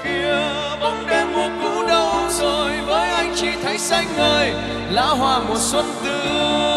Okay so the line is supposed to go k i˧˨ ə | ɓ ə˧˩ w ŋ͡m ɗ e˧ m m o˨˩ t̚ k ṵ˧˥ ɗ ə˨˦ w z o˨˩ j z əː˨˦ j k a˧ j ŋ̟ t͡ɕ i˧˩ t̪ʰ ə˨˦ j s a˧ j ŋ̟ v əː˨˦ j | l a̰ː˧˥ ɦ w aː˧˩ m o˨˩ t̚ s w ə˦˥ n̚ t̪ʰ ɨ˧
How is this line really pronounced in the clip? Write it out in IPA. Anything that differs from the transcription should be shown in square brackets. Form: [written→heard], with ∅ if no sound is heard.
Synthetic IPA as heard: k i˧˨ ə | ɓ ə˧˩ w ŋ͡m ɗ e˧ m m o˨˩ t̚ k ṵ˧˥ ɗ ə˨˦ w z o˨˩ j [z→v] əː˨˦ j [k→ʔ] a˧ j ŋ̟ t͡ɕ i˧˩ t̪ʰ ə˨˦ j s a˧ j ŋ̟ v [əː˨˦→əː˧˩] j | l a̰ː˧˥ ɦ w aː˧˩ m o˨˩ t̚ s w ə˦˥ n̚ [t̪ʰ→t̪] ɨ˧